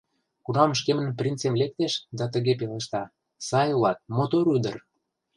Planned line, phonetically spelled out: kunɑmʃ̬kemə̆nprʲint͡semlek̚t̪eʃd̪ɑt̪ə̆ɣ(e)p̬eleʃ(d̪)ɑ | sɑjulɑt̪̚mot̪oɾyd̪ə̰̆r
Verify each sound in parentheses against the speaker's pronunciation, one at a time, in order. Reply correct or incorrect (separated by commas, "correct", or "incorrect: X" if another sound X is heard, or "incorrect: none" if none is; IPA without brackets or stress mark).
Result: correct, incorrect: t̪